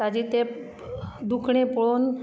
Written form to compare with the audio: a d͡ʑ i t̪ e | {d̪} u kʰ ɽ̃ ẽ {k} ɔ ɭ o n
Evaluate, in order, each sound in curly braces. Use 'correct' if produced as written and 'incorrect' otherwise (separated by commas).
correct, incorrect